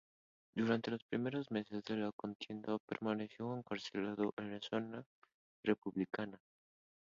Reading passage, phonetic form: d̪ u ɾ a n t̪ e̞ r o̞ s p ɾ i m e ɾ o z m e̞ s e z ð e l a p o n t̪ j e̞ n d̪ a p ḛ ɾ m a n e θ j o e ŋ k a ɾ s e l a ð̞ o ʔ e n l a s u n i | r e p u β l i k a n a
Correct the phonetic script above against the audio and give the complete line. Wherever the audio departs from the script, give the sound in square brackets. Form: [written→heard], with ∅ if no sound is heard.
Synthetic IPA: d̪ u ɾ a n t̪ e̞ [r→l] o̞ s p ɾ i m e ɾ o z m e̞ s e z ð e l a [p→k] o n t̪ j e̞ n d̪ a p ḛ ɾ m a n e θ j o e ŋ k a ɾ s e l a ð̞ o ʔ e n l a s [u→o] n [i→a] | r e p u β l i k a n a